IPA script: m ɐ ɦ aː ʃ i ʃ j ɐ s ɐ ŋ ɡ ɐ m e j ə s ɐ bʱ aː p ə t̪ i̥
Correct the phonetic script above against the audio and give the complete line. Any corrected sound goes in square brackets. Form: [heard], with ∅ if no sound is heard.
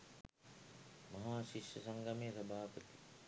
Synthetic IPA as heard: m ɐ ɦ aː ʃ i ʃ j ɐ s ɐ ŋ ɡ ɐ m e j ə s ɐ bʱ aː p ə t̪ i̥

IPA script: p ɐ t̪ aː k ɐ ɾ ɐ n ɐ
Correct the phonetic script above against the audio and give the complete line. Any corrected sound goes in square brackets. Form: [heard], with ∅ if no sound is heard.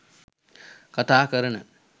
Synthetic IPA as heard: [k] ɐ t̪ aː k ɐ ɾ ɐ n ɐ

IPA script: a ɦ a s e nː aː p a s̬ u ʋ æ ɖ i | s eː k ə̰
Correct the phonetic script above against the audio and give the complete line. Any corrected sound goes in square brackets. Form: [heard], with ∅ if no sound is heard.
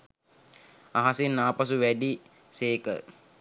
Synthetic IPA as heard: a ɦ a s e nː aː p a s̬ u ʋ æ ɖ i | s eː k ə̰

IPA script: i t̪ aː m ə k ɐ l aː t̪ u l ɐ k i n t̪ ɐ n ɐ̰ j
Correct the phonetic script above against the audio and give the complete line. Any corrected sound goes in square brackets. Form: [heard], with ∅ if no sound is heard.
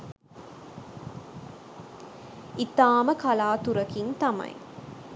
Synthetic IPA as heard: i t̪ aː m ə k ɐ l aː t̪ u [ɾ] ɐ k i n t̪ ɐ [m] ɐ̰ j

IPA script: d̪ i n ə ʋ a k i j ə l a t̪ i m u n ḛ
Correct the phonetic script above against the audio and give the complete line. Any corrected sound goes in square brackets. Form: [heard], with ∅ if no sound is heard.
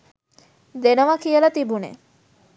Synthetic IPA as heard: d̪ [e] n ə ʋ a k i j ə l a t̪ i [b] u n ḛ

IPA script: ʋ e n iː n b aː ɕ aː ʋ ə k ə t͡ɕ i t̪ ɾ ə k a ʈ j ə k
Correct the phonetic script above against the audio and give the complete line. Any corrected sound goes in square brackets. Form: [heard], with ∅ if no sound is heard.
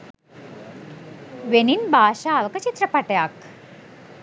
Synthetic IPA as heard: ʋ e n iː n b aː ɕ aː ʋ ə k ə t͡ɕ i t̪ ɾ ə [p] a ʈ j [a] k

